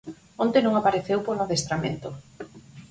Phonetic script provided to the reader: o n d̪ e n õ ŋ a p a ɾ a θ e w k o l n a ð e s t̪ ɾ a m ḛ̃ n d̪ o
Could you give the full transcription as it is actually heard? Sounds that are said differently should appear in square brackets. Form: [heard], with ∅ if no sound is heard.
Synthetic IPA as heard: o n [t̪] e n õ ŋ a p a ɾ [e] θ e w [p] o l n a ð e s t̪ ɾ a m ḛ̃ n [t̪] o